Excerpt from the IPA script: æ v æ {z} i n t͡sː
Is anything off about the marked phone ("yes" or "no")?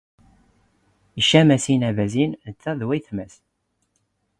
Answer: no